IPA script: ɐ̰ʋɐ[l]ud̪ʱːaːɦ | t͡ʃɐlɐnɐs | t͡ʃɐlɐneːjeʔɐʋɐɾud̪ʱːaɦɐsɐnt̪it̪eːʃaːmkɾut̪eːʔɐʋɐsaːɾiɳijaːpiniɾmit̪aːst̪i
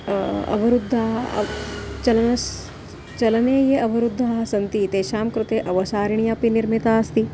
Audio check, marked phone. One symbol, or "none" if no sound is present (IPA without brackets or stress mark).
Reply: ɾ